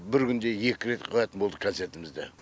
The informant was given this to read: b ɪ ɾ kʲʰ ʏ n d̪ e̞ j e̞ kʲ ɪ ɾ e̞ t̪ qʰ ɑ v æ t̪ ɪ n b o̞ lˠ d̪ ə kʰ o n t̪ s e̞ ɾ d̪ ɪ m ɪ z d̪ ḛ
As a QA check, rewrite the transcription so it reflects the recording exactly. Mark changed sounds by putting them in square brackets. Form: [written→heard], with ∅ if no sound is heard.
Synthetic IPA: b ɪ ɾ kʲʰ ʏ n d̪ e̞ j e̞ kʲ ɪ ɾ e̞ t̪ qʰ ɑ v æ t̪ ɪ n b o̞ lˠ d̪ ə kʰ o n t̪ s e̞ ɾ [d̪→t̪] ɪ m ɪ z d̪ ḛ